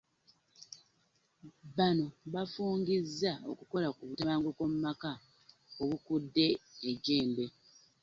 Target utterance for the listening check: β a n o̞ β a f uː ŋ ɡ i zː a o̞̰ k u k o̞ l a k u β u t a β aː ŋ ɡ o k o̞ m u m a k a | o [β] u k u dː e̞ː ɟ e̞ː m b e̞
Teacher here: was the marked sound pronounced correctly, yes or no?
yes